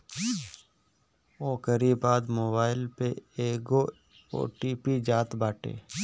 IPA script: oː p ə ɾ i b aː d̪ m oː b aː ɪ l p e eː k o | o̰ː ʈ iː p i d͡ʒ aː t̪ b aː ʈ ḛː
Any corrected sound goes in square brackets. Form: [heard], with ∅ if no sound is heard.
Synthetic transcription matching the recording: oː [k] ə ɾ i b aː d̪ m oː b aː ɪ l p e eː [ɡ] o | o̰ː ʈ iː p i d͡ʒ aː t̪ b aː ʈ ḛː